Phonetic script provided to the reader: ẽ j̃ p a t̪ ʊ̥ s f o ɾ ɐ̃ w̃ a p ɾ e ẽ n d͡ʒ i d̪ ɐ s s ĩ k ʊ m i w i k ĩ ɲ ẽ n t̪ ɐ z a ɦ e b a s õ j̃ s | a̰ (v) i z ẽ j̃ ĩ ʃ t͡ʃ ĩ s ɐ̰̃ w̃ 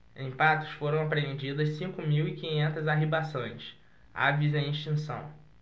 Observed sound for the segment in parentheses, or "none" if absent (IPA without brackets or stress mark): v